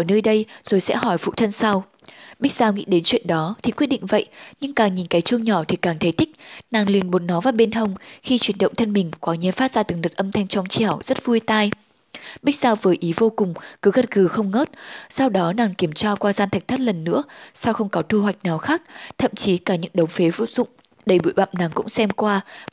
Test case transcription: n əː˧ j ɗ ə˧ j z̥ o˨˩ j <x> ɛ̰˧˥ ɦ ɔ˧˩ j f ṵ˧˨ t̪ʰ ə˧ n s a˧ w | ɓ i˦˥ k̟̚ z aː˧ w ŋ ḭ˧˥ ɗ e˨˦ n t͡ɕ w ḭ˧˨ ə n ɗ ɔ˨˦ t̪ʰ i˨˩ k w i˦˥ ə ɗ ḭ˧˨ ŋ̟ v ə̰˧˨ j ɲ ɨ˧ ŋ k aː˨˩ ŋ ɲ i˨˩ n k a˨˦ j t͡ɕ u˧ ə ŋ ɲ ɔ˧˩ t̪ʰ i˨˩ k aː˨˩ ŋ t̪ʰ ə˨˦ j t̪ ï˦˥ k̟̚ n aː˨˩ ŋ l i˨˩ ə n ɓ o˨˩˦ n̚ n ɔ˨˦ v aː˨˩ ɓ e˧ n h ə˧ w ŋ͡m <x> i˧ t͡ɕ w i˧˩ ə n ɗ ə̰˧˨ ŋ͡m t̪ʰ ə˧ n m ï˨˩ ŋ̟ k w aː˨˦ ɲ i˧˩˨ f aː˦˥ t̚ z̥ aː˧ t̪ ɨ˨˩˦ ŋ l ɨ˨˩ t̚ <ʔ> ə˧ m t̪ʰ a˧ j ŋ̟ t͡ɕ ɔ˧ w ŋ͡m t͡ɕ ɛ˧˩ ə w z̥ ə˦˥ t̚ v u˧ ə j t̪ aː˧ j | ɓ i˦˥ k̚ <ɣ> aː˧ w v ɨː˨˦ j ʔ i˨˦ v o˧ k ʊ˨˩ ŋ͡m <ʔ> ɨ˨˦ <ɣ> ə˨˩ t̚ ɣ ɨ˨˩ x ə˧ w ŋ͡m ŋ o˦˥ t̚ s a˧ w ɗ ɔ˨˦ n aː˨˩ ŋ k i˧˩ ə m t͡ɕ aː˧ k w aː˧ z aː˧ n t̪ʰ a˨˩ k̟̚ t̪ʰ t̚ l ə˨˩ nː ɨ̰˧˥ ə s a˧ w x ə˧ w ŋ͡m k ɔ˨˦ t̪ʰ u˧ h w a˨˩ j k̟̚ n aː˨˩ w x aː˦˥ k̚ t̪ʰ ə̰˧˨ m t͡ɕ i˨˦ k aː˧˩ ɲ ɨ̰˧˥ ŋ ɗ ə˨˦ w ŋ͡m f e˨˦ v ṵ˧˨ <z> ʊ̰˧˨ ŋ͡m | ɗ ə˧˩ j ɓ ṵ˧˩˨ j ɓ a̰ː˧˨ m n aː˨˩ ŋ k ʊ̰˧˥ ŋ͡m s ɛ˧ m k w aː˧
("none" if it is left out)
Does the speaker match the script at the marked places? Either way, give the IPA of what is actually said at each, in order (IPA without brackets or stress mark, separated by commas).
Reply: s, x, ʔ, z, k, ɣ, z